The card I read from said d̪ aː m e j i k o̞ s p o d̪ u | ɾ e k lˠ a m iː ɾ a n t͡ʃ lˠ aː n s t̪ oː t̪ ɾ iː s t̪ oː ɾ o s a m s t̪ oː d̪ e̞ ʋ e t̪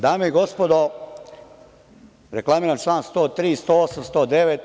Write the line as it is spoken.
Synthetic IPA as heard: d̪ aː m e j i ɡ o̞ s p o d̪ o | ɾ e k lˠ a m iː ɾ a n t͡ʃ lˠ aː n s t̪ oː t̪ ɾ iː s t̪ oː o s a m s t̪ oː d̪ e̞ ʋ e t̪